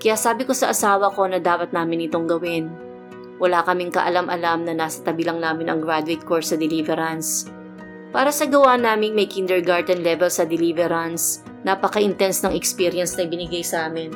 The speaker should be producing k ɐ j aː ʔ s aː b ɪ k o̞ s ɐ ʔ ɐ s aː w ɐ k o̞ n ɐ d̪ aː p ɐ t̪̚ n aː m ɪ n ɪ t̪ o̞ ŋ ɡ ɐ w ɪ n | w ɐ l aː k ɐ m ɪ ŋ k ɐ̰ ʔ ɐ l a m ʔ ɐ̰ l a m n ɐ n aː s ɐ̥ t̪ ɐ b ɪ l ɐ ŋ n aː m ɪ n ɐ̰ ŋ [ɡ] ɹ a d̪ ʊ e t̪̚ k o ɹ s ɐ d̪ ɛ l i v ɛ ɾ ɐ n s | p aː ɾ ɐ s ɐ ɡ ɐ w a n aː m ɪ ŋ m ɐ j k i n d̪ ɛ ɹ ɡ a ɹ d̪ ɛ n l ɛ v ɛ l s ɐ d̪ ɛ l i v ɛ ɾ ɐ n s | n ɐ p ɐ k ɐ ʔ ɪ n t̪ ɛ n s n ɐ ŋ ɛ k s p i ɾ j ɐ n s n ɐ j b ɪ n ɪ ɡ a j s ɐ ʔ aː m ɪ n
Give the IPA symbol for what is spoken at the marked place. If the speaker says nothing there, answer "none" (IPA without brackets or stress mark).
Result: ɡ